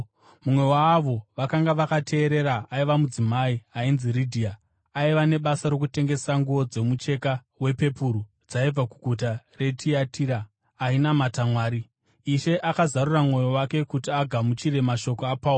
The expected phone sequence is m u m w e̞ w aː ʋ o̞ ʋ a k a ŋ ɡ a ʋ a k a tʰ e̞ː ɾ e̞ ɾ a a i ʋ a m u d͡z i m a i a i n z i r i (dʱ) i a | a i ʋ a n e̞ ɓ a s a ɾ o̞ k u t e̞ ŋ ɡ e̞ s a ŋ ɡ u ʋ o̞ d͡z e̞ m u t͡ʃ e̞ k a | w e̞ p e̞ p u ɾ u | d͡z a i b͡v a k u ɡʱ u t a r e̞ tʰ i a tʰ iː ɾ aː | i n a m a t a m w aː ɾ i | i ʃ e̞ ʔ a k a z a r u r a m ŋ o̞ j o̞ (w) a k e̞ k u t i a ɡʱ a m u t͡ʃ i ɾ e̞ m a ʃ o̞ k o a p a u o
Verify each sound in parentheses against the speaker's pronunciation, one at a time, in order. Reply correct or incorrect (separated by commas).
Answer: correct, correct